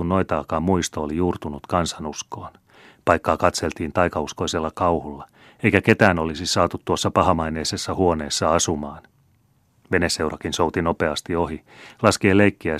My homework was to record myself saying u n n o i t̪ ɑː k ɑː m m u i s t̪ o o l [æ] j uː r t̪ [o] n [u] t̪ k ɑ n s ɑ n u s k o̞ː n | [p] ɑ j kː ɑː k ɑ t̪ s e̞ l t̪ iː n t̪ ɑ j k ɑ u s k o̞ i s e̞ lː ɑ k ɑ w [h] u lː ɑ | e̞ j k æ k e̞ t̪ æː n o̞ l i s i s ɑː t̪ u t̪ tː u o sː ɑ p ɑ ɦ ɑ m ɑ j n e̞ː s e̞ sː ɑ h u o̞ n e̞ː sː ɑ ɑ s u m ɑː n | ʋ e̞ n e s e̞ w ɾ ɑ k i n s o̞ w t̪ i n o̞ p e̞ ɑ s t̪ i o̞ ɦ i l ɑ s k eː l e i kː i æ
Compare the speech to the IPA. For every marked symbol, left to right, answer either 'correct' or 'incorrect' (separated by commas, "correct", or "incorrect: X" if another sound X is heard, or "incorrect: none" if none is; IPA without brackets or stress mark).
incorrect: i, incorrect: u, correct, correct, correct